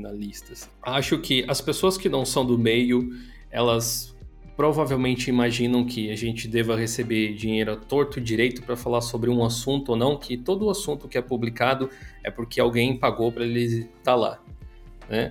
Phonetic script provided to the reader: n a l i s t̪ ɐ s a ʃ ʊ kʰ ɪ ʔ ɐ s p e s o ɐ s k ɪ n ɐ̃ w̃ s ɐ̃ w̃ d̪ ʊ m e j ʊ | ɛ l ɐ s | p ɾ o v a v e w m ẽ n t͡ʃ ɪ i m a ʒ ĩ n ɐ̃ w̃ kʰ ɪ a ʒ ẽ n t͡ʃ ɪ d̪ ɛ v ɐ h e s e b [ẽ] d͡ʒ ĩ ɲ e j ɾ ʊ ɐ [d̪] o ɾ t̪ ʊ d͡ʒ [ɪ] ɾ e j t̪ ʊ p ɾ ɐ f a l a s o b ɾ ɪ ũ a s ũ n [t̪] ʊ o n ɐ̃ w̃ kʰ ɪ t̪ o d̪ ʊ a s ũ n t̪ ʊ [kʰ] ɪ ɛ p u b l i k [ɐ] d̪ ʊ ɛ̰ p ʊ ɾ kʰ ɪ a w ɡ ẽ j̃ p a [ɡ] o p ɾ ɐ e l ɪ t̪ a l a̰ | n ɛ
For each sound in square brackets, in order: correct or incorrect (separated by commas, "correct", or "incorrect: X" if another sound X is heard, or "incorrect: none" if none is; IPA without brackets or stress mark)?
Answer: incorrect: e, incorrect: t̪, incorrect: i, correct, incorrect: k, incorrect: a, correct